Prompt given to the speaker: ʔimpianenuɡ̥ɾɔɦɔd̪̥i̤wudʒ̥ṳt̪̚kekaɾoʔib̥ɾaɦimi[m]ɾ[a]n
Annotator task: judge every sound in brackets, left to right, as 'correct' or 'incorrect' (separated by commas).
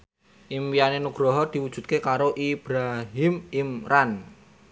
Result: correct, correct